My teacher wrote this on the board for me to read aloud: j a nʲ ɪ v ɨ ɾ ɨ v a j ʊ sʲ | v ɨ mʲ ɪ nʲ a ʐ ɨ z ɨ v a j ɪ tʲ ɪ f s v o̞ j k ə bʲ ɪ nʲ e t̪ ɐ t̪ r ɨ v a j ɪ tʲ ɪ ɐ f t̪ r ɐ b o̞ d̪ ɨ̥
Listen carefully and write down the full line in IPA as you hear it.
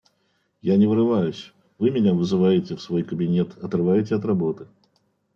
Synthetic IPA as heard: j a nʲ ɪ v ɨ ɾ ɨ v a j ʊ sʲ | v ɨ mʲ ɪ nʲ a v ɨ z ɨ v a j ɪ tʲ ɪ f s v o̞ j k ə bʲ ɪ nʲ e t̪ ɐ t̪ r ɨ v a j ɪ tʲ ɪ ɐ t̪ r ɐ b o̞ t̪ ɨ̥